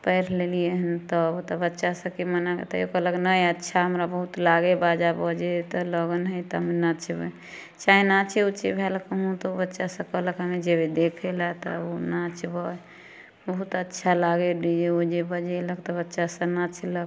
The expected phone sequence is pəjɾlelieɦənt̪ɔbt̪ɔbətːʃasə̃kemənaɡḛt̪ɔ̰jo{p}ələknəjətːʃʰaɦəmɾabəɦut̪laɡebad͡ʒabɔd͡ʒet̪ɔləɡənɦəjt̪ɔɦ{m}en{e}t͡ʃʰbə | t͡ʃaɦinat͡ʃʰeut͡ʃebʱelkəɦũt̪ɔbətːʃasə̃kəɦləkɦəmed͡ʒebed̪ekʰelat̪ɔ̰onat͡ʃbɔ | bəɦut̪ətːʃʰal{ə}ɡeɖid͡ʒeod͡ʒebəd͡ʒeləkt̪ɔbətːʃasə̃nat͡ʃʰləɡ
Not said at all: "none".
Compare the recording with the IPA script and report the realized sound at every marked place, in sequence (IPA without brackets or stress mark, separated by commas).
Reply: k, m, a, a